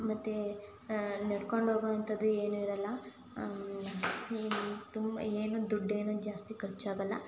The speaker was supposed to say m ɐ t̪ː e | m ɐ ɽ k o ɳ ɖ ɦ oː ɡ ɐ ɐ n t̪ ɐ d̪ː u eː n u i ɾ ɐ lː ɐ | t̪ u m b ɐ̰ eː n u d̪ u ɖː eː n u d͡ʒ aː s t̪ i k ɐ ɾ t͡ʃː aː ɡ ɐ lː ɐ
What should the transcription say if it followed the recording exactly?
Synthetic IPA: m ɐ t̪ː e | n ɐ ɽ k o ɳ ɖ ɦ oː ɡ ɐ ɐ n t̪ ɐ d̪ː u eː n u i ɾ ɐ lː ɐ | t̪ u m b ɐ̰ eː n u d̪ u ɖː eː n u d͡ʒ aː s t̪ i k ɐ ɾ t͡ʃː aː ɡ ɐ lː ɐ

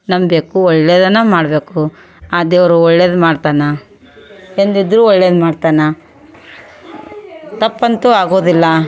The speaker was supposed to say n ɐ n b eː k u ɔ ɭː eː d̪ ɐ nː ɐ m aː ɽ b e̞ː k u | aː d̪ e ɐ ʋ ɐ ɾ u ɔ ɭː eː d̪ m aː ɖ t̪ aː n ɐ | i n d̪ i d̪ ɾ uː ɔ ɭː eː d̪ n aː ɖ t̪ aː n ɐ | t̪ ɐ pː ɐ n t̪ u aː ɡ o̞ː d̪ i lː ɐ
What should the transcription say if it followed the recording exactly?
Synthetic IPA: n ɐ m b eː k u ɔ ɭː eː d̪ ɐ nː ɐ m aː ɽ b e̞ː k u | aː d̪ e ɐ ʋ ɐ ɾ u ɔ ɭː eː d̪ m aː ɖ t̪ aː n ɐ | e n d̪ i d̪ ɾ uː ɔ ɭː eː d̪ m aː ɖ t̪ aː n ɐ | t̪ ɐ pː ɐ n t̪ u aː ɡ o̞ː d̪ i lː ɐ

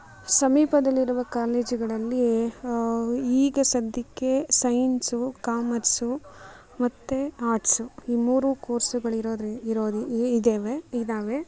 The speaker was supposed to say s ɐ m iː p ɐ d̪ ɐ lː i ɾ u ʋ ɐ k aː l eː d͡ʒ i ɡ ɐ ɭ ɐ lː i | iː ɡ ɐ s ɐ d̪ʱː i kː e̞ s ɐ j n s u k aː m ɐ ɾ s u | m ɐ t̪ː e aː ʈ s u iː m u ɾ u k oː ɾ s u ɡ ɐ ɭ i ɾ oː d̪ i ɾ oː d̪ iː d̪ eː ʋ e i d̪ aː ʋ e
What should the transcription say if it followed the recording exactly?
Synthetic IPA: s ɐ m iː p ɐ d̪ ɐ lː i ɾ u ʋ ɐ k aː l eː d͡ʒ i ɡ ɐ ɭ ɐ lː i | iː ɡ ɐ s ɐ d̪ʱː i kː e̞ s ɐ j n s u k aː m ɐ ɾ s u | m ɐ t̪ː e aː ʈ s u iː m uː ɾ u k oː ɾ s u ɡ ɐ ɭ i ɾ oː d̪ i ɾ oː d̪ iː d̪ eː ʋ e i d̪ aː ʋ e

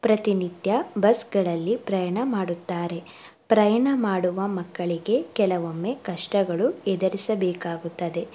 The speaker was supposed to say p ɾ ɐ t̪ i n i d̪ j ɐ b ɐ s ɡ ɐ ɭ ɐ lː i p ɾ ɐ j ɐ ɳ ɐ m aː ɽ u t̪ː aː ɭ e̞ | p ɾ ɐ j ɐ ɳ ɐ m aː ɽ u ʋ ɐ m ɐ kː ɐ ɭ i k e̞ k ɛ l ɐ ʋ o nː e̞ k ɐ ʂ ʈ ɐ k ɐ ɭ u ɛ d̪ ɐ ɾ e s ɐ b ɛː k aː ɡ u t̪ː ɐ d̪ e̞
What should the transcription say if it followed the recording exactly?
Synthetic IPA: p ɾ ɐ t̪ i n i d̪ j ɐ b ɐ s ɡ ɐ ɭ ɐ lː i p ɾ ɐ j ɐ ɳ ɐ m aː ɽ u t̪ː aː ɾ e̞ | p ɾ ɐ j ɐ ɳ ɐ m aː ɽ u ʋ ɐ m ɐ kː ɐ ɭ i ɡ e̞ k ɛ l ɐ ʋ o mː e̞ k ɐ ʂ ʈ ɐ ɡ ɐ ɭ u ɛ d̪ ɐ ɾ i s ɐ b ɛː k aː ɡ u t̪ː ɐ d̪ e̞

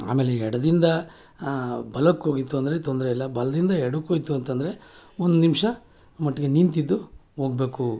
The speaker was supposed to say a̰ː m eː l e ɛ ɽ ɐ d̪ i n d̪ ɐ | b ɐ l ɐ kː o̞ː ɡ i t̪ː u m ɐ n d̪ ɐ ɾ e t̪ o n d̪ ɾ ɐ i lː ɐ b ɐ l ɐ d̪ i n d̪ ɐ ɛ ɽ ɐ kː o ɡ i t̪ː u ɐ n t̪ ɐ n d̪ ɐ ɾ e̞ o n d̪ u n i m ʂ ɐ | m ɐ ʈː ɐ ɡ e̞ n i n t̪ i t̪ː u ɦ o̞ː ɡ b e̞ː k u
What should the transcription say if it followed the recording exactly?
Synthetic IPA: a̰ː m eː l e ɛ ɽ ɐ d̪ i n d̪ ɐ | b ɐ l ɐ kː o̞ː ɡ i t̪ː u ɐ n d̪ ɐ ɾ e t̪ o n d̪ ɾ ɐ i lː ɐ b ɐ l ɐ d̪ i n d̪ ɐ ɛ ɽ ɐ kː o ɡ i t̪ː u ɐ n t̪ ɐ n d̪ ɐ ɾ e̞ o n d̪ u n i m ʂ ɐ | m ɐ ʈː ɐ ɡ e̞ n i n t̪ i d̪ː u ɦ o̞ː ɡ b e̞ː k u

